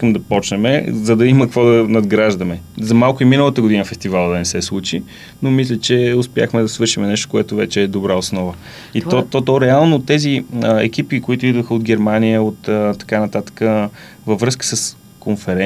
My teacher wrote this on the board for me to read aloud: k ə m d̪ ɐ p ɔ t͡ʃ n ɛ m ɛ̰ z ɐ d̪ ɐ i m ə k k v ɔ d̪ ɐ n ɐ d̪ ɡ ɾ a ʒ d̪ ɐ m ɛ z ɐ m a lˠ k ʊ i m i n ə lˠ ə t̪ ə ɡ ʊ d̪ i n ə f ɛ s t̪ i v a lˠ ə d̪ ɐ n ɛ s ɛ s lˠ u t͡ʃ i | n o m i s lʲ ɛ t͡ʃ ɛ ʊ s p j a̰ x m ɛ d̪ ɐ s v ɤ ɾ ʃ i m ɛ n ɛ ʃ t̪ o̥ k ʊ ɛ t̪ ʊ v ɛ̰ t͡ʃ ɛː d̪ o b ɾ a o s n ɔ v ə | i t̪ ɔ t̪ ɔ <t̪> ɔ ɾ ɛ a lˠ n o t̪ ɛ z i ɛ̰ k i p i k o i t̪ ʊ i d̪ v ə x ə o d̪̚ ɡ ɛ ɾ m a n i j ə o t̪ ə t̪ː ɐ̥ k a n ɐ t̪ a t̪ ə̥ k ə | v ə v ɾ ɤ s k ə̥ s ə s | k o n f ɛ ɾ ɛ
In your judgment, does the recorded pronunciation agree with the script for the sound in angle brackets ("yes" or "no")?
yes